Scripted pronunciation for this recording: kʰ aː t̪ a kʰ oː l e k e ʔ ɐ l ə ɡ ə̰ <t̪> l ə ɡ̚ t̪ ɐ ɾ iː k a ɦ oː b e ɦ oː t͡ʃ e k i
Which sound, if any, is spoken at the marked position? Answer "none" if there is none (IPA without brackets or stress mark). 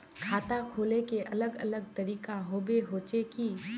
none